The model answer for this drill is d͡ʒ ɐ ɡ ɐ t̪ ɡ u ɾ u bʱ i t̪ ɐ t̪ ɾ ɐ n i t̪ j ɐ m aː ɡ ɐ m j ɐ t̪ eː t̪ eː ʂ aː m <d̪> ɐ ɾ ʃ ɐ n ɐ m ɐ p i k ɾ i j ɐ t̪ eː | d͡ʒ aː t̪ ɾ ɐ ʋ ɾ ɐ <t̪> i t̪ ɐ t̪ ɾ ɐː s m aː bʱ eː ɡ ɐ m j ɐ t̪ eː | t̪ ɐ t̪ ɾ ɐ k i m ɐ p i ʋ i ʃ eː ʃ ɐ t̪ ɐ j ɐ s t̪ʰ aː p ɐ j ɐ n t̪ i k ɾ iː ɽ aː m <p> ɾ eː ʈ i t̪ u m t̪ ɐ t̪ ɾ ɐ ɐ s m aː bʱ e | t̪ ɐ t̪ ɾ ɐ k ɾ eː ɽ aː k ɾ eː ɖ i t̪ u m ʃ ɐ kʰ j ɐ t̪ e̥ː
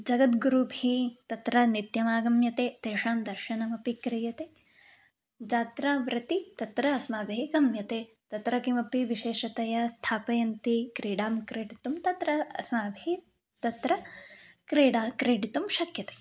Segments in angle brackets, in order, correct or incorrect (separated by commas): correct, correct, incorrect